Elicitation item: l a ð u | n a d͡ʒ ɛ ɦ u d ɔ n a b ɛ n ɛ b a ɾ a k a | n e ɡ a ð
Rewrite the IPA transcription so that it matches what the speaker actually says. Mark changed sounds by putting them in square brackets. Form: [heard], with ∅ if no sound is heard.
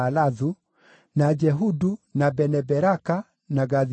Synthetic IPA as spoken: l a ð u | n a d͡ʒ ɛ ɦ u d [u] n a b ɛ n ɛ b [ɛ] ɾ a k a | n [a] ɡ a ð